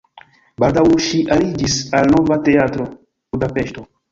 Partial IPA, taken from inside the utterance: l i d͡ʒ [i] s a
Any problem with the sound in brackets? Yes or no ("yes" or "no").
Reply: no